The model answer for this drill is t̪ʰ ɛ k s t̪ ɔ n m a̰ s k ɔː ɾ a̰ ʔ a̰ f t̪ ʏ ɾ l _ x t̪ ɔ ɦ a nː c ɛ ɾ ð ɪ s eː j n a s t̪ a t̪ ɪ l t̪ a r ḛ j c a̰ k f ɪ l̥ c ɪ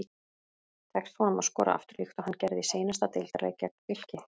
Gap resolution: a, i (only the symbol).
i